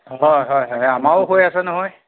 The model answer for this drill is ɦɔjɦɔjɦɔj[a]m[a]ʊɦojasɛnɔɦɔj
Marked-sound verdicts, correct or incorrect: correct, correct

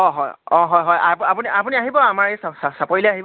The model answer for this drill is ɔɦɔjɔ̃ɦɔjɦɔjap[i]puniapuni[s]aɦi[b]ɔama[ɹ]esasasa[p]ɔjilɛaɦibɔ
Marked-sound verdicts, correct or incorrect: incorrect: a, incorrect: none, correct, correct, correct

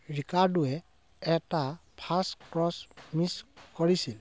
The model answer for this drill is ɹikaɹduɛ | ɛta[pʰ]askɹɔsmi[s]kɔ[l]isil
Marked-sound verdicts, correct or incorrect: correct, correct, incorrect: ɹ

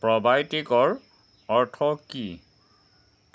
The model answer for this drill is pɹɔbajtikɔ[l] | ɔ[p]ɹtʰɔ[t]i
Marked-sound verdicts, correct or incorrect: incorrect: ɹ, incorrect: none, incorrect: k

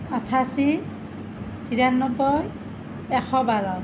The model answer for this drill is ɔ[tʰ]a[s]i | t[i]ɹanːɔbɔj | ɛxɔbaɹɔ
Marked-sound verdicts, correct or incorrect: correct, correct, correct

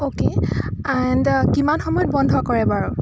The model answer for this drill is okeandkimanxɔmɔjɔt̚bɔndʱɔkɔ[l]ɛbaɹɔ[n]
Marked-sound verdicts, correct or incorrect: incorrect: ɹ, incorrect: none

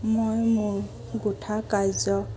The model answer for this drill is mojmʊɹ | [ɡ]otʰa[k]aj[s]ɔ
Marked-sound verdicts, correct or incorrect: correct, correct, incorrect: z

